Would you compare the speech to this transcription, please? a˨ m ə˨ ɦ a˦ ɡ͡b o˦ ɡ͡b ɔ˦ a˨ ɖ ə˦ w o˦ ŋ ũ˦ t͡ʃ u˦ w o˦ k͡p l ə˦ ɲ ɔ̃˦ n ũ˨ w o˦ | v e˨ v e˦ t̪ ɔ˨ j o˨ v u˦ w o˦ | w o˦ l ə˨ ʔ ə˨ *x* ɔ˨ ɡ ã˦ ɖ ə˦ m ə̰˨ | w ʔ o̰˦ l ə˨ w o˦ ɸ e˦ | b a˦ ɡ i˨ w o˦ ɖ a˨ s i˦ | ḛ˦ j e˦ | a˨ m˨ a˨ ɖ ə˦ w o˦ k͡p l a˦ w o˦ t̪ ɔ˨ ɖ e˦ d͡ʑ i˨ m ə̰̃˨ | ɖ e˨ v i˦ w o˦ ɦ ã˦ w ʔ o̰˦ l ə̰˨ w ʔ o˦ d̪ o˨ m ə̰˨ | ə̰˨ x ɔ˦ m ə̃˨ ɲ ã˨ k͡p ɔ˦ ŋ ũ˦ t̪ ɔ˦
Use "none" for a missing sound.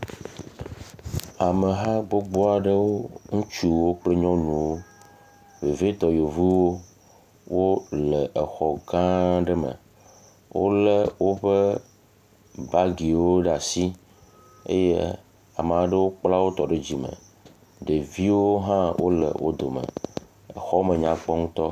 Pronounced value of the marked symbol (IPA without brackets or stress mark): x